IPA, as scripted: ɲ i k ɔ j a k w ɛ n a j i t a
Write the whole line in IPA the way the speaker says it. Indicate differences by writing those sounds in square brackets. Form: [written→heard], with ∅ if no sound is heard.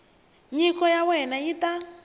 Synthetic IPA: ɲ i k ɔ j a [k→∅] w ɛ n a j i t a